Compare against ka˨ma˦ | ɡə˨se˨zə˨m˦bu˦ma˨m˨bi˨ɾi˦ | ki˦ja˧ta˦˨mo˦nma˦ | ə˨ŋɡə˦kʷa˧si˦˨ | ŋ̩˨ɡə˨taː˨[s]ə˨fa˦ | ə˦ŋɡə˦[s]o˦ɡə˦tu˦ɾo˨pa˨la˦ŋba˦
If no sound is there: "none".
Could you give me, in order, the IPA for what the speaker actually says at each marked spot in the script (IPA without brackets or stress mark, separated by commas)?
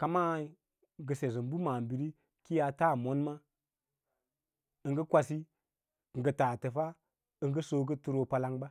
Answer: t, s